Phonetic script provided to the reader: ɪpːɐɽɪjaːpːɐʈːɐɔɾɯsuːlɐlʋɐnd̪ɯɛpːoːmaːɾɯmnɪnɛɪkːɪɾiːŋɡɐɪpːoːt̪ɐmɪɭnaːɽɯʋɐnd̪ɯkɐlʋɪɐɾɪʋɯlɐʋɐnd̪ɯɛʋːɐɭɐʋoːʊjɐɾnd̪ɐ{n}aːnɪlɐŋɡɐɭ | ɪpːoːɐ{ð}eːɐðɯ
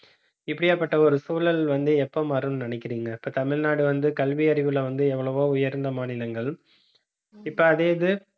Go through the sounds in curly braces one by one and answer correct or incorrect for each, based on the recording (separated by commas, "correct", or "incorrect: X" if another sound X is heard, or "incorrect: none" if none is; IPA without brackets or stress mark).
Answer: incorrect: m, correct